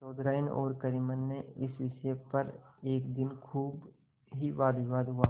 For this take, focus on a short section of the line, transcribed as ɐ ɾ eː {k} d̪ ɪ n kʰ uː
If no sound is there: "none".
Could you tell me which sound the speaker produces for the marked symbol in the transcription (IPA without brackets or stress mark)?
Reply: k